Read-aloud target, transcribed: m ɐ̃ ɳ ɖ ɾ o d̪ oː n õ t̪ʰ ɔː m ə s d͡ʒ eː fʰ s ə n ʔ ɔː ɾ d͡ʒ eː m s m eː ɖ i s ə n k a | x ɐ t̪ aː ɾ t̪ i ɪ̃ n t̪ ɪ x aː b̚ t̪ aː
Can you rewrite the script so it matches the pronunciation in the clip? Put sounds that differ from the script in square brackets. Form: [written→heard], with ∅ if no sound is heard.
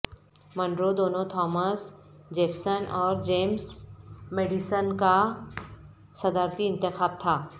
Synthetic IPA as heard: m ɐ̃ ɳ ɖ ɾ o d̪ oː n õ t̪ʰ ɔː m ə s d͡ʒ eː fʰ s ə n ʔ ɔː ɾ d͡ʒ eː m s m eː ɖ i s ə n k a | [x→s] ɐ [t̪→d̪] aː ɾ t̪ i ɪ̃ n t̪ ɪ x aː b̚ [t̪→t̪ʰ] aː

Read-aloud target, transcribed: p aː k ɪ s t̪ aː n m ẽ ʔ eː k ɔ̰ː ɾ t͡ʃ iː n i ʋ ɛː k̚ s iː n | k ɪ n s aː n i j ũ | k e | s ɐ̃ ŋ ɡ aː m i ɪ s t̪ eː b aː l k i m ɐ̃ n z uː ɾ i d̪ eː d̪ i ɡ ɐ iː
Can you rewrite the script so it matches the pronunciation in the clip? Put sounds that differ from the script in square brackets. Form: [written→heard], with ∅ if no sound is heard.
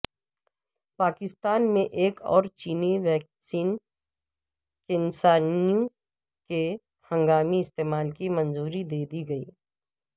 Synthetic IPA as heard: p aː k ɪ s t̪ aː n m ẽ ʔ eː k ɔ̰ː ɾ t͡ʃ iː n i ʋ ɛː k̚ s iː n | k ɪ n s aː n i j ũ | k e | [s→h] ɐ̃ ŋ ɡ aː m i ɪ s t̪ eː [b→m] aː l k i m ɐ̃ n z uː ɾ i d̪ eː d̪ i ɡ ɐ iː

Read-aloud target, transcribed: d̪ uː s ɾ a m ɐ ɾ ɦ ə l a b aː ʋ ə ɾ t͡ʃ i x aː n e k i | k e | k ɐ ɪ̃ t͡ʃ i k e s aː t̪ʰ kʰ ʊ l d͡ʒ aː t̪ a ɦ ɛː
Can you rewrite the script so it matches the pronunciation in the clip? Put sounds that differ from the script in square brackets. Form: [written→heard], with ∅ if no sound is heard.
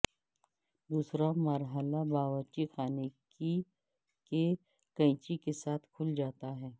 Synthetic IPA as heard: d̪ uː s ɾ a m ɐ ɾ ɦ ə l a b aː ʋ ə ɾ t͡ʃ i x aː n e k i | k e | k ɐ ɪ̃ t͡ʃ i k e s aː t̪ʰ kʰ ʊ l d͡ʒ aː t̪ a ɦ ɛː

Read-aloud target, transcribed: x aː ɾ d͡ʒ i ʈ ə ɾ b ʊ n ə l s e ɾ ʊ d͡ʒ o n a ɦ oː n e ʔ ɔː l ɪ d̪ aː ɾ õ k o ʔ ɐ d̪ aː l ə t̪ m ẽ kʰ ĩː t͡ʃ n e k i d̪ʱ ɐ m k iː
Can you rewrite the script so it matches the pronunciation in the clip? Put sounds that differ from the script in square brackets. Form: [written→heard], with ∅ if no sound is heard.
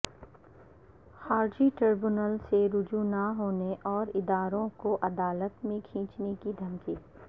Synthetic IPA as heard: x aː ɾ d͡ʒ i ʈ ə ɾ b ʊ n ə l s e ɾ ʊ d͡ʒ [o→u] n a ɦ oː n e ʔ ɔː [l→ɾ] ɪ d̪ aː ɾ õ k o ʔ ɐ d̪ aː l ə t̪ m ẽ kʰ ĩː t͡ʃ n e k i d̪ʱ ɐ m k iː

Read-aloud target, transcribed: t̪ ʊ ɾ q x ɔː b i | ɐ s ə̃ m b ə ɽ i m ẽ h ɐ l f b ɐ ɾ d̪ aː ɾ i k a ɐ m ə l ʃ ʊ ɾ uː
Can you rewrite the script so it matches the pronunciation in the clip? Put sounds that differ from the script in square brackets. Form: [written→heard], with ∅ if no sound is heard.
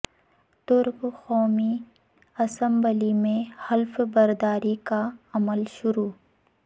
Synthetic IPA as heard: t̪ ʊ ɾ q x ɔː [b→m] i | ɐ s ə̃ m b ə [ɽ→l] i m ẽ h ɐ l f b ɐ ɾ d̪ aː ɾ i k a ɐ m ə l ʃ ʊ ɾ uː

